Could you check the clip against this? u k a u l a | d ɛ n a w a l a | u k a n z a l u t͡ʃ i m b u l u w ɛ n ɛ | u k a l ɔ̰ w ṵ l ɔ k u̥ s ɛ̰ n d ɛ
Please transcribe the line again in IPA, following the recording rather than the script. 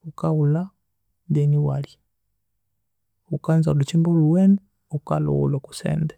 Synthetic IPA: u k a u l a | d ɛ n i w a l i | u k a n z a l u t͡ʃ i m b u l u w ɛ n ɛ | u k a l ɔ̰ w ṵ l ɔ k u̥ s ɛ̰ n d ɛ